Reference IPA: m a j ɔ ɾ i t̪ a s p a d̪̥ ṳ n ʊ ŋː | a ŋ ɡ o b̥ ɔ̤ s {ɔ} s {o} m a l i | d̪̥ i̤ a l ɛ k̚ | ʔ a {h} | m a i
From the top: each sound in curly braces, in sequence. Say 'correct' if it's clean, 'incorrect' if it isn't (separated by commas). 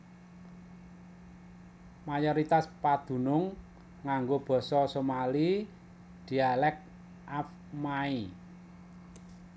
correct, correct, incorrect